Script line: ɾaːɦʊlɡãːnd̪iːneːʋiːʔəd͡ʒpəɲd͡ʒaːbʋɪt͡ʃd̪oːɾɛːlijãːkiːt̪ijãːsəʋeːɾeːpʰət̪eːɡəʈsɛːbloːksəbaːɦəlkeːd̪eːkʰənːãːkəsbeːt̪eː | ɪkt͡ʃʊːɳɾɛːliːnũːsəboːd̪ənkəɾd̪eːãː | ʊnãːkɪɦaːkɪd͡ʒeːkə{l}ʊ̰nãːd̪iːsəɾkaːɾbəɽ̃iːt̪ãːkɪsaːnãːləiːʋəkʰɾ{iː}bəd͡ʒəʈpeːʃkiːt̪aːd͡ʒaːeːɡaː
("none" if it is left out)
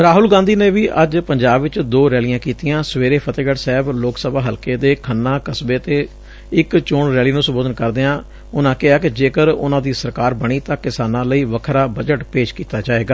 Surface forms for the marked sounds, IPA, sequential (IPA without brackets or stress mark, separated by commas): ɾ, aː